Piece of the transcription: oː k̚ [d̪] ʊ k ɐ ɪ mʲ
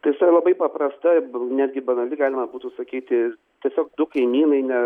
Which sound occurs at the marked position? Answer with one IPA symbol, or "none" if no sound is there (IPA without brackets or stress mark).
d̪